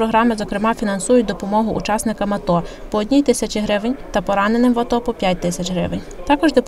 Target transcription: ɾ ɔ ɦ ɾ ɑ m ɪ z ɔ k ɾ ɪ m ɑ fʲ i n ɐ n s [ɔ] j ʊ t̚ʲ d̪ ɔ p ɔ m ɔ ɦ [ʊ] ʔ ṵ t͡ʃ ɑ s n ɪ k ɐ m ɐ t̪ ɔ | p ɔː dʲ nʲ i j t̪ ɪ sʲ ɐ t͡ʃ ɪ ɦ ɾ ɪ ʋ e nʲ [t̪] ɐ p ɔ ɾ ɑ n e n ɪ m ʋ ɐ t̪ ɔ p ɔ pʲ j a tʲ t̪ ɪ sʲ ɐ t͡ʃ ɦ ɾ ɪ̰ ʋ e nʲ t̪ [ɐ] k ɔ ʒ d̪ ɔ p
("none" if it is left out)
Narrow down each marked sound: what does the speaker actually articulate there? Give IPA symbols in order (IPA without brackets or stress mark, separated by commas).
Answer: u, ʊ, t̪, ɑ